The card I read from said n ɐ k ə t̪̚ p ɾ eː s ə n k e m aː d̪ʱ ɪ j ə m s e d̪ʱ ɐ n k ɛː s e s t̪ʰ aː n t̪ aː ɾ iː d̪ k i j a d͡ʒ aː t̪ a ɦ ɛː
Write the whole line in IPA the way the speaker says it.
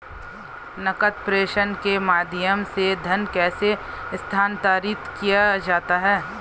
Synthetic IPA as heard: n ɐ k ə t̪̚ p ɾ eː ʃ ə n k e m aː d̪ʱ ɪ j ə m s e d̪ʱ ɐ n k ɛː s e s t̪ʰ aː n t̪ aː ɾ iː t̪ k i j a d͡ʒ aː t̪ a ɦ ɛː